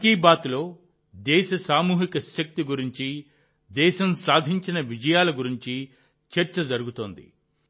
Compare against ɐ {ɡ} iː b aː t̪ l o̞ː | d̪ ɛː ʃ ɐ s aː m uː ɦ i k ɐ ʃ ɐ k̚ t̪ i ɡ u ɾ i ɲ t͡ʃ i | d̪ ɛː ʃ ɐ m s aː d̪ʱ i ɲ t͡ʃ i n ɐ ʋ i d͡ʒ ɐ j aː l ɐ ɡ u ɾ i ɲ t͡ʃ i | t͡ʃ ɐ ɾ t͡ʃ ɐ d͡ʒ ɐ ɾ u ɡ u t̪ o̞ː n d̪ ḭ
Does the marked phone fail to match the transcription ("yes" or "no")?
yes